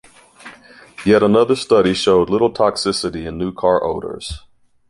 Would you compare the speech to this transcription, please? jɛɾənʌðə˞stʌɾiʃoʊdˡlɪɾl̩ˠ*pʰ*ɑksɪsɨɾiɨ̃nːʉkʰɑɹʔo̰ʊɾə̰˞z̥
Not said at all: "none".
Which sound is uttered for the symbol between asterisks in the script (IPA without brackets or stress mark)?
tʰ